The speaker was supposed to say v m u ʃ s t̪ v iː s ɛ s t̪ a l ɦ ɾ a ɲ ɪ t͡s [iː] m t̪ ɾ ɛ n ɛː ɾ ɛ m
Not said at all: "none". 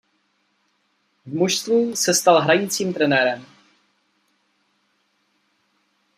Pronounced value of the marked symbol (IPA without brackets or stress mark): iː